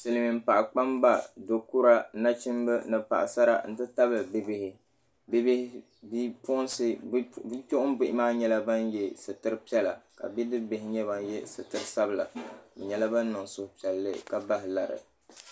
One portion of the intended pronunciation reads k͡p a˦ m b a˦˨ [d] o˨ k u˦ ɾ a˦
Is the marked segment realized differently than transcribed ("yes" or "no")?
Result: no